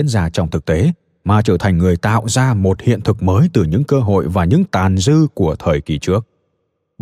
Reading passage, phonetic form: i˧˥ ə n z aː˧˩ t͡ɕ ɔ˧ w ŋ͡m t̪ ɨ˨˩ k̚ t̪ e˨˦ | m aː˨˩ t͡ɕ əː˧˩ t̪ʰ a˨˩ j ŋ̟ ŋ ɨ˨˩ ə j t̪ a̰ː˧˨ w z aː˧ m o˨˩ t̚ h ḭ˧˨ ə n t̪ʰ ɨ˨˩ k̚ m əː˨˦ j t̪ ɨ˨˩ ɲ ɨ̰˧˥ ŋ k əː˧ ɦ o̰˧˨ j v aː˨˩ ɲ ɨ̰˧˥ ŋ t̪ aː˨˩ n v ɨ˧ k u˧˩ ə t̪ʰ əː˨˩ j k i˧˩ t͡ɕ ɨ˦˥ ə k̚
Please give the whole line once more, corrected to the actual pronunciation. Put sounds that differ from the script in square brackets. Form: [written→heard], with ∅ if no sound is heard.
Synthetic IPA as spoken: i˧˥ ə n z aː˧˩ t͡ɕ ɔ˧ w ŋ͡m t̪ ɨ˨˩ k̚ t̪ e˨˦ | m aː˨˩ t͡ɕ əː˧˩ t̪ʰ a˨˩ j ŋ̟ ŋ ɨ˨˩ ə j t̪ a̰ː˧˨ w z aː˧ m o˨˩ t̚ h ḭ˧˨ ə n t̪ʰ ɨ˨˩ k̚ m əː˨˦ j t̪ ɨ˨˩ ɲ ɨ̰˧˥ ŋ k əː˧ ɦ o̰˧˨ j v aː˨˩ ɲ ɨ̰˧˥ ŋ t̪ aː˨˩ n [v→z] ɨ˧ k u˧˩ ə t̪ʰ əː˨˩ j k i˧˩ t͡ɕ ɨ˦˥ ə k̚